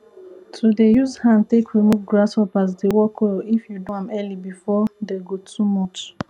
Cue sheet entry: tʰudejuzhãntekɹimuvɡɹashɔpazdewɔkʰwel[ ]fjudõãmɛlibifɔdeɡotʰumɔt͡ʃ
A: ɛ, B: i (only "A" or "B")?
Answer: B